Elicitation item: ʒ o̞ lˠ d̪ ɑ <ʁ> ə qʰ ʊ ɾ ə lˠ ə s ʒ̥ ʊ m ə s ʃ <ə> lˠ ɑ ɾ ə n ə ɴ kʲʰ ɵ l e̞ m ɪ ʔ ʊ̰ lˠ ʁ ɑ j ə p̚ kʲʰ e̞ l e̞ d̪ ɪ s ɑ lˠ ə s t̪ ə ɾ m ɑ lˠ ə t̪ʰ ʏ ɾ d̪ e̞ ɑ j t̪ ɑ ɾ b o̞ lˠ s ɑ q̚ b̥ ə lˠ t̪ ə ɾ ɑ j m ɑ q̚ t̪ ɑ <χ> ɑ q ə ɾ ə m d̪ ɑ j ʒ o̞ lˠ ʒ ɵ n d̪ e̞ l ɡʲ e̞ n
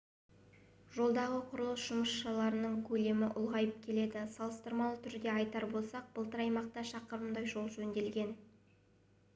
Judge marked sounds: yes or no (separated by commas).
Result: yes, no, no